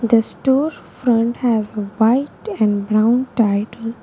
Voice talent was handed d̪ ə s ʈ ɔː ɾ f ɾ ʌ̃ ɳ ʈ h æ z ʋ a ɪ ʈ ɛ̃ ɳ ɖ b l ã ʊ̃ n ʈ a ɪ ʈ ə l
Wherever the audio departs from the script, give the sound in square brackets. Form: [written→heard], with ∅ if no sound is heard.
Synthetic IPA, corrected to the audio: d̪ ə s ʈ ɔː ɾ f ɾ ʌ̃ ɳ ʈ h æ z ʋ a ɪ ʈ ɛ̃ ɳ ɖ b [l→ɾ] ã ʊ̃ n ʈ a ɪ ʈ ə l